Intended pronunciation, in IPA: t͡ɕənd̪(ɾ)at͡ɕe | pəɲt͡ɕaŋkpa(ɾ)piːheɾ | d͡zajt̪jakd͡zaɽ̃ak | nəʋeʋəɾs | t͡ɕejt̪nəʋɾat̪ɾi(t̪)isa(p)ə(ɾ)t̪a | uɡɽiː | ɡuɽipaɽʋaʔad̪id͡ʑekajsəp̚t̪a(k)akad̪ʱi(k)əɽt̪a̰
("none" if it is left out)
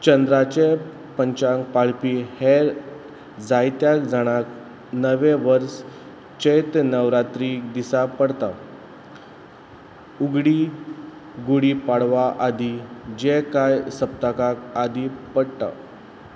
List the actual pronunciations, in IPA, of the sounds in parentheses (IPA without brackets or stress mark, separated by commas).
ɾ, ɭ, d̪, p, ɽ, k, p